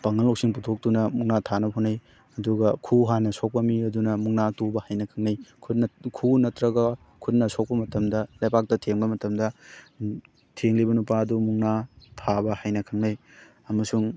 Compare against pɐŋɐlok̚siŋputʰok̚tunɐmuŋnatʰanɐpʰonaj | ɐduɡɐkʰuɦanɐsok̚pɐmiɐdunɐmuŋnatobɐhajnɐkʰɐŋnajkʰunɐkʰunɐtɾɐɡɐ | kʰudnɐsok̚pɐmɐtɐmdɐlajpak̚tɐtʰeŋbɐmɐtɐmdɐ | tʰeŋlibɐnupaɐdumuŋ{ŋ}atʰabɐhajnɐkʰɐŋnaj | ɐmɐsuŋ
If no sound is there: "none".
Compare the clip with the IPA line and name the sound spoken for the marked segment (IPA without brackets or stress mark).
n